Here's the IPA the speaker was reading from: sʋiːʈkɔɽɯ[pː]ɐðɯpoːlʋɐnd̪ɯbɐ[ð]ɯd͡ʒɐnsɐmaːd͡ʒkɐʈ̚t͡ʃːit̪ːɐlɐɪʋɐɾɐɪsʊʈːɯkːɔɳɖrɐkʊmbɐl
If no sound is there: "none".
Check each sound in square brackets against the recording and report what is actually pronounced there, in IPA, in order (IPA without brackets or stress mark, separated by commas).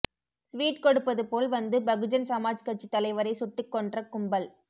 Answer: pː, ɣ